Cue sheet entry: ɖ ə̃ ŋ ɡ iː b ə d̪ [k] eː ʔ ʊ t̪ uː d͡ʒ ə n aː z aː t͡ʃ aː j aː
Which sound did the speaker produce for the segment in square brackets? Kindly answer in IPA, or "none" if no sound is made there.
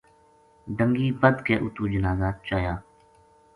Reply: k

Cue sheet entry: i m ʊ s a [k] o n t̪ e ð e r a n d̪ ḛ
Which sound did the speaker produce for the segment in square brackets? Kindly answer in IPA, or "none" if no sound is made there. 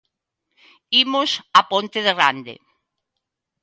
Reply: p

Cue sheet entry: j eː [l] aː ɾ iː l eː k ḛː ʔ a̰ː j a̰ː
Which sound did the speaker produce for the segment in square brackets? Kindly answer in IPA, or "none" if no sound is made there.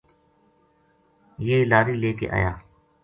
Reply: l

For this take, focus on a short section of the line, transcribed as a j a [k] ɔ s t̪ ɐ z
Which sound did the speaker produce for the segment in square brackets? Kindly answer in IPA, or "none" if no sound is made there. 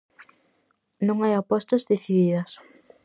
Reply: p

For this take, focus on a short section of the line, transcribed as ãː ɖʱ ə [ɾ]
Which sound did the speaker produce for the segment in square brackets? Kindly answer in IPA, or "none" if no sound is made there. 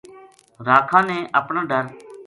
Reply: ɾ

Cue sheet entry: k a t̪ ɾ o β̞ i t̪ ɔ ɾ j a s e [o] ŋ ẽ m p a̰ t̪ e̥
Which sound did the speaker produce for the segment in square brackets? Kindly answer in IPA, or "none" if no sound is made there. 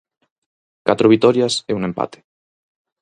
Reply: u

